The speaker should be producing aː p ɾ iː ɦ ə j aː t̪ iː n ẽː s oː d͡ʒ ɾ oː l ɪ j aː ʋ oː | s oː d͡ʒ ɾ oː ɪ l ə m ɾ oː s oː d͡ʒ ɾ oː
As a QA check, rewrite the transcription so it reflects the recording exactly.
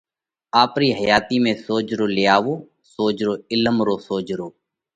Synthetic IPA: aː p ɾ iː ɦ ə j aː t̪ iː m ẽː s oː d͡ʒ ɾ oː l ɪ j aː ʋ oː | s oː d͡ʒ ɾ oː ɪ l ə m ɾ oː s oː d͡ʒ ɾ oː